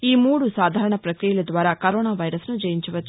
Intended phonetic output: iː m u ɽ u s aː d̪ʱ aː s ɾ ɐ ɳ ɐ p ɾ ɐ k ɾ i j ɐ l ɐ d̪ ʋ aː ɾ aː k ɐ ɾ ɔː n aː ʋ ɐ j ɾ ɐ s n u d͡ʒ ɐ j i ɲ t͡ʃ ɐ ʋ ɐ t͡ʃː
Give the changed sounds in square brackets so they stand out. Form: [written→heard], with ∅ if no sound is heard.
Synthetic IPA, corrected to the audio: iː m [u→uː] ɽ u s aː d̪ʱ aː [s→∅] ɾ ɐ ɳ ɐ p ɾ ɐ k ɾ i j ɐ l ɐ d̪ ʋ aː ɾ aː k ɐ ɾ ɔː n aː ʋ ɐ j ɾ ɐ s n u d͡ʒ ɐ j i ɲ t͡ʃ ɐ ʋ ɐ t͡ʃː